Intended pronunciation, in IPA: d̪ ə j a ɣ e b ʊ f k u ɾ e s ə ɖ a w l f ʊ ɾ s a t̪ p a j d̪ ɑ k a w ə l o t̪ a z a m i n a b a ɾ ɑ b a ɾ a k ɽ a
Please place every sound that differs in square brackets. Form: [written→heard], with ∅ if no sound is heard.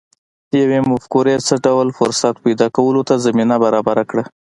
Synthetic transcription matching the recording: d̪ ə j a [ɣ→w] e [b→m] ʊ f k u ɾ e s ə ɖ a w l f ʊ ɾ s a t̪ p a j d̪ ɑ k a w ə l o t̪ a z a m i n a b a ɾ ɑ b a ɾ a k ɽ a